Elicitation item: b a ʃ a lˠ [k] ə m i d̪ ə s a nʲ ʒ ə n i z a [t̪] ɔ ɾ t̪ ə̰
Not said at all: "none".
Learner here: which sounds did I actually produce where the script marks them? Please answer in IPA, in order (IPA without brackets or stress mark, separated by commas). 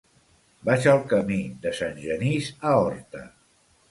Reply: k, none